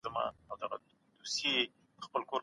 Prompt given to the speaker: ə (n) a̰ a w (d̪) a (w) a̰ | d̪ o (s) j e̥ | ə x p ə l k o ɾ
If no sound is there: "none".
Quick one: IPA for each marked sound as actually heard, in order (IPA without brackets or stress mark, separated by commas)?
m, d̪, ɣ, s